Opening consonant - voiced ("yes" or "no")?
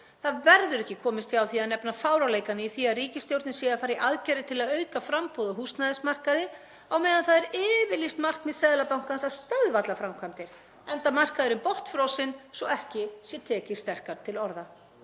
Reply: no